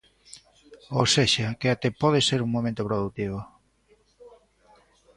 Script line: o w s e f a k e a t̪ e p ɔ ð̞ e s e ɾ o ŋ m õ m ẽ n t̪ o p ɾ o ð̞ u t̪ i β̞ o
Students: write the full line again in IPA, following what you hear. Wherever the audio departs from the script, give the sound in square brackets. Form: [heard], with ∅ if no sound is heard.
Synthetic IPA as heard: o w s e [ʃ] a k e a t̪ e p ɔ ð̞ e s e ɾ [u] ŋ m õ m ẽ n t̪ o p ɾ o ð̞ u t̪ i β̞ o